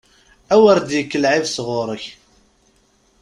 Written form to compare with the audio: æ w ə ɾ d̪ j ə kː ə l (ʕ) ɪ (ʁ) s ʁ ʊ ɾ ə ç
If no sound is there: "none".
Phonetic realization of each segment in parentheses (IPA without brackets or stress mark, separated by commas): ʕ, v